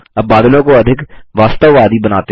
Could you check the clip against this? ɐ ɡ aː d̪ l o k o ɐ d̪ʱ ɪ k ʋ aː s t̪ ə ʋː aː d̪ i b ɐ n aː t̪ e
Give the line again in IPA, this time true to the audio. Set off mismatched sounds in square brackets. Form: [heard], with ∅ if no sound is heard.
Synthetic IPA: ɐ [b] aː d̪ l [õ] k o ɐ d̪ʱ ɪ k ʋ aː s t̪ ə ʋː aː d̪ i b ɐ n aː t̪ e